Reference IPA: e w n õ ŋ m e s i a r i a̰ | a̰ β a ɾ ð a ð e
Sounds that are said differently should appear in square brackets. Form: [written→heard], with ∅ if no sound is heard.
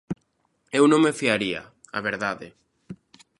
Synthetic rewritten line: e w n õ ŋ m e [s→f] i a [r→ɾ] i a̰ | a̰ β [a→e] ɾ ð a ð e